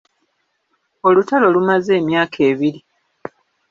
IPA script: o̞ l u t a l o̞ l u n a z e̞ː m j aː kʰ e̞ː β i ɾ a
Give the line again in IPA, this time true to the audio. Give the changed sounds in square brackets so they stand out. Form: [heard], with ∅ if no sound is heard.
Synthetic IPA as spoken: o̞ l u t a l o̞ l u [m] a z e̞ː m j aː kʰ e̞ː β i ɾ [i]